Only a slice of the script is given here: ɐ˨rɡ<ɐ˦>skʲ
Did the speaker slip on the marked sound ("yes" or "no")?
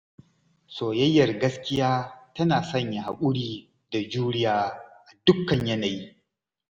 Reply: no